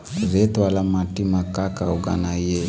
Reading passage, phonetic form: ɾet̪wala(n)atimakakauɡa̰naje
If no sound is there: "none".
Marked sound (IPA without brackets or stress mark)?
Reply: m